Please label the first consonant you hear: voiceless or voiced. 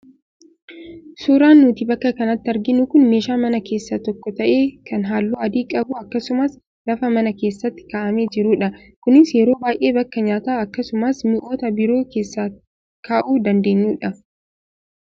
voiceless